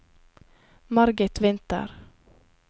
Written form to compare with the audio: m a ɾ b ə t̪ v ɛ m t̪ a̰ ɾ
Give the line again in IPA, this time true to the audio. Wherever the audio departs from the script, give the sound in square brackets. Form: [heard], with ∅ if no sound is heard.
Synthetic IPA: m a ɾ [ɡ] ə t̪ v ɛ [n] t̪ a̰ ɾ